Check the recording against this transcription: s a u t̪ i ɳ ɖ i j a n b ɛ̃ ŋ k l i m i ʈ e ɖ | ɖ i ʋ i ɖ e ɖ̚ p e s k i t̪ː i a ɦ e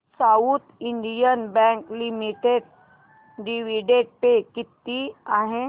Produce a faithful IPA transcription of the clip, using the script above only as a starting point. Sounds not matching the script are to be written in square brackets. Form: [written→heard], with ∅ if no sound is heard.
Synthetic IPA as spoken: s a u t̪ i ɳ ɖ i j [a→ə] n b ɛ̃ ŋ k l i m i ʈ e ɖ | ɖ i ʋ i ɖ e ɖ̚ p e [s→∅] k i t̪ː i a ɦ e

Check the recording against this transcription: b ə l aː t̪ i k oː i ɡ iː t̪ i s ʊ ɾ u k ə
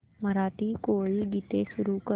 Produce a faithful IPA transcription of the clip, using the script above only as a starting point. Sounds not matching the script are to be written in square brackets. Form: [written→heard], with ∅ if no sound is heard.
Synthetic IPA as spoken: [b→m] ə [l→ɾ] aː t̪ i k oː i ɡ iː t̪ [i→e] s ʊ ɾ u k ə

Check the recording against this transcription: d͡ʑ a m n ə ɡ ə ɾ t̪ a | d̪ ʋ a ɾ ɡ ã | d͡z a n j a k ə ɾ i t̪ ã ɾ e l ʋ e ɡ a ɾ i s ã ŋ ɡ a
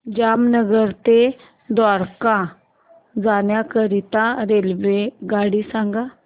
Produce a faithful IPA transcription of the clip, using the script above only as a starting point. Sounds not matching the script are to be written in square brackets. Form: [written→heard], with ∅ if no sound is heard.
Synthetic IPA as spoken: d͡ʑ a m n ə ɡ ə ɾ t̪ [a→e] | d̪ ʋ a ɾ [ɡ→k] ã | d͡z a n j a k ə ɾ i t̪ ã ɾ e l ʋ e ɡ a [ɾ→ɽ] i s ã ŋ ɡ a

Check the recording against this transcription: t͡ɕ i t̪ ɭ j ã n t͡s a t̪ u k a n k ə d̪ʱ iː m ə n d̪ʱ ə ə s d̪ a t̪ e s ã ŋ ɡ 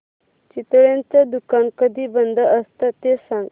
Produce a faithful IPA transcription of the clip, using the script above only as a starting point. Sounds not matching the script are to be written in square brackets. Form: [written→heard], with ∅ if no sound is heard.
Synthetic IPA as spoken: t͡ɕ i t̪ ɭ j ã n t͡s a [t̪→d̪] u k a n k ə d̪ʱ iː [m→b] ə n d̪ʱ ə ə s [d̪→t̪] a t̪ e s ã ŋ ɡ

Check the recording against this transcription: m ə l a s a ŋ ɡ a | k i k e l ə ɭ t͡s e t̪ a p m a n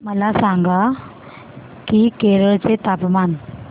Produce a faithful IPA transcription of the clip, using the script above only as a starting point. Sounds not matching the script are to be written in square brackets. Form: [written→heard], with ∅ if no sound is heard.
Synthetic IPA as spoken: m ə l a s a ŋ ɡ a | k i k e [l→ɾ] ə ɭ t͡s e t̪ a p m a n

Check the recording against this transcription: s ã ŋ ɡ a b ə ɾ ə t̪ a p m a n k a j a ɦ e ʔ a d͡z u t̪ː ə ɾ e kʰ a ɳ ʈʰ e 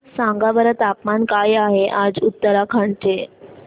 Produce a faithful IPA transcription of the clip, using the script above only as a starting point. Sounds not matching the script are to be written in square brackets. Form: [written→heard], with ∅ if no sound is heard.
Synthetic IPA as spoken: s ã ŋ ɡ a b ə ɾ ə t̪ a p m a n k a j a ɦ e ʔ a d͡z u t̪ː ə ɾ [e→a] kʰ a ɳ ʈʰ e

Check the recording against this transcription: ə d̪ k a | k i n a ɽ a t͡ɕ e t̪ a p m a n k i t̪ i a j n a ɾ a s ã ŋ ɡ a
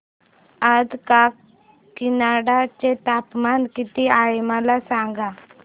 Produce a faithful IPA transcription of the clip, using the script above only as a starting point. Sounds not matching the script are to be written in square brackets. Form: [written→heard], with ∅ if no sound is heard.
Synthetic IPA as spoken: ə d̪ k a | k i n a ɽ a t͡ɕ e t̪ a p m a n k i t̪ i a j [n→m] a [ɾ→l] a s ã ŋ ɡ a

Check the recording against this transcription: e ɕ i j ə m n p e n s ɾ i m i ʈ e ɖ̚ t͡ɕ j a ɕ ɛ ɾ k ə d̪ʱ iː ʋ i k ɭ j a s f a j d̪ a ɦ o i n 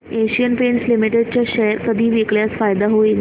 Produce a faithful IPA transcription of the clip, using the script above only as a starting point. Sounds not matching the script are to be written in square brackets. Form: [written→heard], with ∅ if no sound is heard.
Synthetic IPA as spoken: e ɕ i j ə [m→∅] n p e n s [ɾ→l] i m i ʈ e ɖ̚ t͡ɕ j a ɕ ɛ ɾ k ə d̪ʱ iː ʋ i k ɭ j a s f a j d̪ a ɦ o i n

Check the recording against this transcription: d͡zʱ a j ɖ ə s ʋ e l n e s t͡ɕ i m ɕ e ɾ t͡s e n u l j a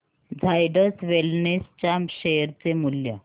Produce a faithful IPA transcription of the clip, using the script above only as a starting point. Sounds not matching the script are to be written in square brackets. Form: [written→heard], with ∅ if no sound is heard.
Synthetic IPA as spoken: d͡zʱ a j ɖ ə s ʋ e l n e s t͡ɕ [i→a] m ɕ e ɾ t͡s e [n→m] u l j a

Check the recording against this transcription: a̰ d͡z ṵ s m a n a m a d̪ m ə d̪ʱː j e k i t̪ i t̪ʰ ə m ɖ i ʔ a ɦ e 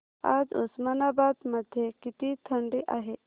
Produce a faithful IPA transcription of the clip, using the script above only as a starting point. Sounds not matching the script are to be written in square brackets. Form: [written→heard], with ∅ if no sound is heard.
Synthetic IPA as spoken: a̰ d͡z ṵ s m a n a [m→b] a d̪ m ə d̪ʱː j e k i t̪ i t̪ʰ ə [m→ɳ] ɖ i ʔ a ɦ e

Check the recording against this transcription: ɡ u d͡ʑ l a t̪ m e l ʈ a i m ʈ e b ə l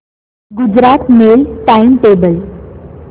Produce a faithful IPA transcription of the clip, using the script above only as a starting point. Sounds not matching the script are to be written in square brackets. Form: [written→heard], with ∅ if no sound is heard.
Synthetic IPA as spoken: ɡ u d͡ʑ [l→ɾ] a t̪ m e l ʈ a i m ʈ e b ə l

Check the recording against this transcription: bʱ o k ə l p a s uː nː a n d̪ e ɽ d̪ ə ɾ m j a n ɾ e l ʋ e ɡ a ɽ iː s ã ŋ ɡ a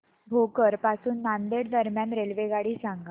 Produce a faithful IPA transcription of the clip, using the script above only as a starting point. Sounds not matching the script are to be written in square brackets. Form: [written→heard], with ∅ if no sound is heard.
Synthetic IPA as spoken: bʱ o k ə [l→ɾ] p a s uː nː a n d̪ e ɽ d̪ ə ɾ m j a n ɾ e l ʋ e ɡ a ɽ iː s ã ŋ ɡ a

